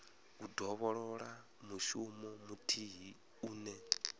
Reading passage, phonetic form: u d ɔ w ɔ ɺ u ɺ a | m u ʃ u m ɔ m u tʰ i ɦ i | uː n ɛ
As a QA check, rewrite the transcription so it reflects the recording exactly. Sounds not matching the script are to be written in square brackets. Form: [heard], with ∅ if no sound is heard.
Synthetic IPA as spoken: u d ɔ [β] ɔ ɺ [ɔ] ɺ a | m u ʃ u m ɔ m u tʰ i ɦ i | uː n ɛ